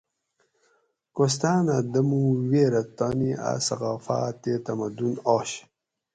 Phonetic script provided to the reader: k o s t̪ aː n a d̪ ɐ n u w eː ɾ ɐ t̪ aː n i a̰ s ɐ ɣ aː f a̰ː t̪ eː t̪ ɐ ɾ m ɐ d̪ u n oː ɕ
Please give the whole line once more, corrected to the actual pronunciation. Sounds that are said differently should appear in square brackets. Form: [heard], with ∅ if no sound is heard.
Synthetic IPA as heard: k o s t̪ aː n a d̪ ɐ [m] u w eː ɾ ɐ t̪ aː n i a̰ s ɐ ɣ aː f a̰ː t̪ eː t̪ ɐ [∅] m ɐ d̪ u n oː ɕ